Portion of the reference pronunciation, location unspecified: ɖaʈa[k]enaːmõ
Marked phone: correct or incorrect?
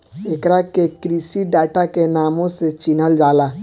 correct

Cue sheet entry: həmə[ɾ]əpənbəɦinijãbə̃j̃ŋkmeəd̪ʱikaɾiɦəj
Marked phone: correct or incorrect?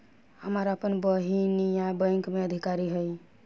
correct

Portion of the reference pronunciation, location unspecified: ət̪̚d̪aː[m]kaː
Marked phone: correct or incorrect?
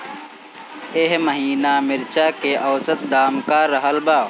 correct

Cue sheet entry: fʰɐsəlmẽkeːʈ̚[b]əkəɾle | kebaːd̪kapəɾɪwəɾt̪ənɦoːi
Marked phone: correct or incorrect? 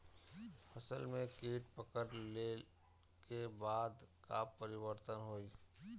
incorrect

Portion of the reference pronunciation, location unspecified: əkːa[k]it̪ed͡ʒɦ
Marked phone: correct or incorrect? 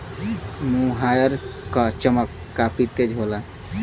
incorrect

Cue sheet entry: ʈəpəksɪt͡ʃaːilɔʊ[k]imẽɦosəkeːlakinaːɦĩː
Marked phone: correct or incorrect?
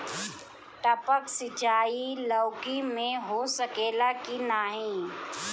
correct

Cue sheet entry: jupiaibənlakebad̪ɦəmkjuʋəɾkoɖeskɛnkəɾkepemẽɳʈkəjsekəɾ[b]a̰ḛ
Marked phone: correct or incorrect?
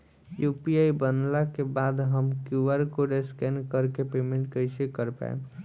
incorrect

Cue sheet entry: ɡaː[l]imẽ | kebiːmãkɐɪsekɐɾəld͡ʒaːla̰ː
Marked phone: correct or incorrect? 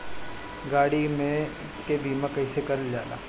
incorrect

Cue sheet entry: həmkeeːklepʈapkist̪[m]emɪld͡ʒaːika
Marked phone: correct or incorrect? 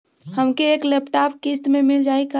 correct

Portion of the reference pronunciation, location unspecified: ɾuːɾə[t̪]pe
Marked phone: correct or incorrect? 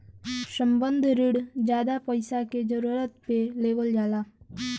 correct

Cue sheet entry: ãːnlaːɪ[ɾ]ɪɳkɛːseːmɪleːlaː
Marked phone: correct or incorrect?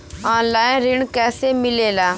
correct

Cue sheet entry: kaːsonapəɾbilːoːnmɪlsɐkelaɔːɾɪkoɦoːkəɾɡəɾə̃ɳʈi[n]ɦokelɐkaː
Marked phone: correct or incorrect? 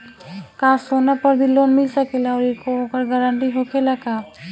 incorrect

